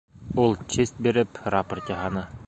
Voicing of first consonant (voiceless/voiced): voiced